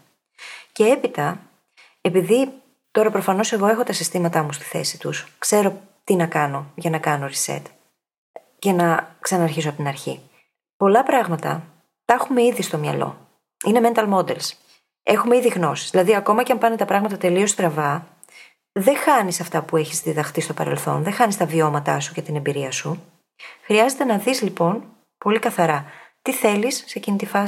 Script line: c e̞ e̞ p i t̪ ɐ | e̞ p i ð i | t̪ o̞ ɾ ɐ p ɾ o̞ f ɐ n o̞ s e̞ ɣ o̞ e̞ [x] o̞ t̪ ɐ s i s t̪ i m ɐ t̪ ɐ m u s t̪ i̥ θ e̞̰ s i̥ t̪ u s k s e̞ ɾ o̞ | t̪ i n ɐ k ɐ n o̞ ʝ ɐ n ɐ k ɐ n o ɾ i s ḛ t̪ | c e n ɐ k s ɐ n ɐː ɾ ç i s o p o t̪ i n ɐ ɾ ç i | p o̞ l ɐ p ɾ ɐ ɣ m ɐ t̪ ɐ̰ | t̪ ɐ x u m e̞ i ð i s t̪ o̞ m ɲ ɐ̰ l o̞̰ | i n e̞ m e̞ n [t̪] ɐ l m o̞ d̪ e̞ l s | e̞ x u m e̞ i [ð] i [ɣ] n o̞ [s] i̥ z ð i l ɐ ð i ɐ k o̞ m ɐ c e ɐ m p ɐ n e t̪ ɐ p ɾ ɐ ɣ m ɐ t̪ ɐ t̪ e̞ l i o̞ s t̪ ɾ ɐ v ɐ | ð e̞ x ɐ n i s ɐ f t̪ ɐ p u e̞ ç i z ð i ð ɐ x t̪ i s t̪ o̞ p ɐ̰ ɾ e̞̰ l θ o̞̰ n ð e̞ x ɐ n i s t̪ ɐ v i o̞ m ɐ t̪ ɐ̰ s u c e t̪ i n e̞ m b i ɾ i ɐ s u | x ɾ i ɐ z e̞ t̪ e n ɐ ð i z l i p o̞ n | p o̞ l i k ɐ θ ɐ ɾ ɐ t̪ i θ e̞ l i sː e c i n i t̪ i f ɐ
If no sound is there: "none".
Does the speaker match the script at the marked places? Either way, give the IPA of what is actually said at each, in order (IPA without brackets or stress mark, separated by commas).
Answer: x, t̪, ð, ɣ, s